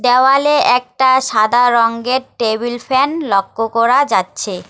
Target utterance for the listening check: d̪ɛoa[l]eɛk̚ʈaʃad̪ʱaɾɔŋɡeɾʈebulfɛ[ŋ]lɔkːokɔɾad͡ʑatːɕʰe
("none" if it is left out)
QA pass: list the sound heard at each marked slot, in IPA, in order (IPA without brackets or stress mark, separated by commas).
l, n